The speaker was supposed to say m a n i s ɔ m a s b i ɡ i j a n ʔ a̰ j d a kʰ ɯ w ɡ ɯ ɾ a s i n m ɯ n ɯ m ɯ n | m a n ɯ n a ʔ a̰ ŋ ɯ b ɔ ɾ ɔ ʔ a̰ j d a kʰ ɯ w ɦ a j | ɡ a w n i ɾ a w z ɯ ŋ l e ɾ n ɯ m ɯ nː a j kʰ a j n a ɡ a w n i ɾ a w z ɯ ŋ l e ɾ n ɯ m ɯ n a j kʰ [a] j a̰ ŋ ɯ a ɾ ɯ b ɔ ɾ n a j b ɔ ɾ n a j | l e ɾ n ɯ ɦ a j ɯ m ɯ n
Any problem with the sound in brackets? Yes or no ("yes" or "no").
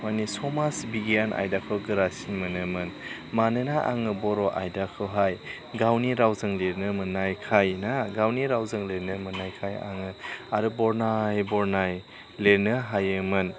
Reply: no